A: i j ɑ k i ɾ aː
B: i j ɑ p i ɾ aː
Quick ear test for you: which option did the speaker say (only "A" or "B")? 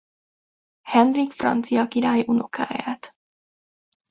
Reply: A